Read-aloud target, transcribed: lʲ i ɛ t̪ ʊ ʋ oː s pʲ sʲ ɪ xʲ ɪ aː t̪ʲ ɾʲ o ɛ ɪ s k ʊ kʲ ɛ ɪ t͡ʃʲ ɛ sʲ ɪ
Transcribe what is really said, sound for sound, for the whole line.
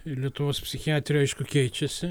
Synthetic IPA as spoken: lʲ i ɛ t̪ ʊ ʋ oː s pʲ sʲ ɪ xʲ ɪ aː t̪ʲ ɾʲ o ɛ ɪ ʃ k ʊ kʲ ɛ ɪ t͡ʃʲ ɛ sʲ ɪ